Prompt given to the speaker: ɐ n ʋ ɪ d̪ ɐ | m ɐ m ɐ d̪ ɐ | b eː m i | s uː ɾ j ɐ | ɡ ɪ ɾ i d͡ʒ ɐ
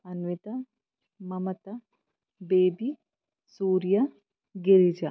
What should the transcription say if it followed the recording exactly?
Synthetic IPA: ɐ n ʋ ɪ t̪ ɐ | m ɐ m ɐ t̪ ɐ | b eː b i | s uː ɾ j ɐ | ɡ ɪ ɾ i d͡ʒ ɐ

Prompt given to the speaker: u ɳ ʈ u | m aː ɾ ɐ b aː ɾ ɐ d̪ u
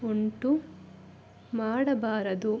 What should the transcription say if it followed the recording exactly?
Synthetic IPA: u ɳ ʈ u | m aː ɽ ɐ b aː ɾ ɐ d̪ u

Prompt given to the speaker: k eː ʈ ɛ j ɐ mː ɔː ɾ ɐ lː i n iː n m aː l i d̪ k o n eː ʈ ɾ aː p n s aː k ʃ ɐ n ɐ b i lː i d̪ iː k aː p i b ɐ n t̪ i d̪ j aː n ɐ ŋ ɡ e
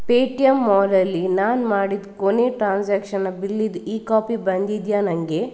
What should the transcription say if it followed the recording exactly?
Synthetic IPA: p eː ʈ i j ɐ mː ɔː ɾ ɐ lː i n aː n m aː ɽ i d̪ k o n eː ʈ ɾ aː n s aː k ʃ ɐ n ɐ b i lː i d̪ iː k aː p i b ɐ n d̪ i d̪ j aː n ɐ ŋ ɡ e

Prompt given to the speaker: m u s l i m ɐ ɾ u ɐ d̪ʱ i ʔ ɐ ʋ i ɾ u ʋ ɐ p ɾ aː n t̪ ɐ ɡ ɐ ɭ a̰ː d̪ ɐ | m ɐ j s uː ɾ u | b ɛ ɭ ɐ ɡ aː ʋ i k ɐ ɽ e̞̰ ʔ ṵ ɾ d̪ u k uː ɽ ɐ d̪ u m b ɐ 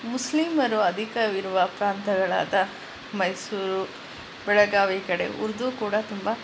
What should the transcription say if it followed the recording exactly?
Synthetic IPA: m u s l i m ɐ ɾ u ɐ d̪ʱ i k ɐ ʋ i ɾ u ʋ ɐ p ɾ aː n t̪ ɐ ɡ ɐ ɭ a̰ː d̪ ɐ | m ɐ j s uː ɾ u | b ɛ ɭ ɐ ɡ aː ʋ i k ɐ ɽ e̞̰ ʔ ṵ ɾ d̪ u k uː ɽ ɐ t̪ u m b ɐ

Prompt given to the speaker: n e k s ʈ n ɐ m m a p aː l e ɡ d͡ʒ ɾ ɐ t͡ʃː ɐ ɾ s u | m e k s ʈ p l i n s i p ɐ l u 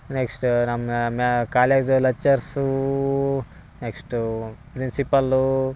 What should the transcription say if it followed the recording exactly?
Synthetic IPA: n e k s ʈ n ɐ m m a k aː l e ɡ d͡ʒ l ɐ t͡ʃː ɐ ɾ s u | n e k s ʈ p ɾ i n s i p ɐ l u

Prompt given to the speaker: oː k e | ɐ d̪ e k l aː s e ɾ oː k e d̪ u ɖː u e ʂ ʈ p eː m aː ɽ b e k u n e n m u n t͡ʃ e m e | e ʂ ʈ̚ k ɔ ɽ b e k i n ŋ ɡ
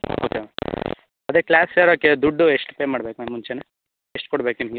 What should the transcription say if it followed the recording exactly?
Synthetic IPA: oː k e | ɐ d̪ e k l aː s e ɾ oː k e d̪ u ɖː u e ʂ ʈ p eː m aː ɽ b e k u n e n m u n t͡ʃ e n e | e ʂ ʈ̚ k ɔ ɽ b e k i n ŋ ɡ

